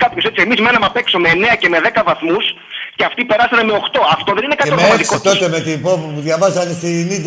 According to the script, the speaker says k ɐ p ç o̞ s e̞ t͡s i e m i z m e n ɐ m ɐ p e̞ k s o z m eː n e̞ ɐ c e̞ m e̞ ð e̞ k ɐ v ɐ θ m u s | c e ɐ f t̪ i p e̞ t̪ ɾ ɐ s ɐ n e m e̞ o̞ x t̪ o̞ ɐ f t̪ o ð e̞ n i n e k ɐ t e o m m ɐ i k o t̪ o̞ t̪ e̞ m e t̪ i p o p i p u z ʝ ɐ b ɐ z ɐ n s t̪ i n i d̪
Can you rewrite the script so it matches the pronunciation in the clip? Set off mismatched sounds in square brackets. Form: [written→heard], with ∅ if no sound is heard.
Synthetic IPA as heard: k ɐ p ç o̞ s e̞ t͡s i e m i z m e n ɐ m ɐ p e̞ k s o [z→∅] m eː n e̞ ɐ c e̞ m e̞ ð e̞ k ɐ v ɐ θ m u s | c e ɐ f t̪ i p e̞ [t̪→∅] ɾ ɐ s ɐ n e m e̞ o̞ x t̪ o̞ ɐ f t̪ o ð e̞ n i n e k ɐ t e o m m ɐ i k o t̪ o̞ t̪ e̞ m e t̪ i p o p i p u [z→ð] ʝ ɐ [b→v] ɐ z ɐ n s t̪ i n i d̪